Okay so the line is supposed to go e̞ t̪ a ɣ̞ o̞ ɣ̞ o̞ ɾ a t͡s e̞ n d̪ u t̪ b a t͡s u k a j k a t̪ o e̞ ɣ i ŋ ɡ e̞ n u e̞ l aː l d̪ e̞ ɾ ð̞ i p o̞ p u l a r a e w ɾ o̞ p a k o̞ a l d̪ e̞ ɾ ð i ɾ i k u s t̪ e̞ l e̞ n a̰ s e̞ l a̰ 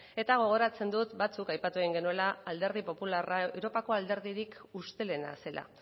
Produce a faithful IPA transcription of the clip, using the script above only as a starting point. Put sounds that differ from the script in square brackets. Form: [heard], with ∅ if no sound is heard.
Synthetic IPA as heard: e̞ t̪ a ɣ̞ o̞ ɣ̞ o̞ ɾ a t͡s e̞ n d̪ u t̪ b a t͡s u k a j [p] a t̪ [u] e̞ ɣ i ŋ ɡ e̞ n u e̞ l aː l d̪ e̞ ɾ ð̞ i p o̞ p u l a r a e w ɾ o̞ p a k o̞ a l d̪ e̞ ɾ ð i ɾ i k u s t̪ e̞ l e̞ n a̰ s e̞ l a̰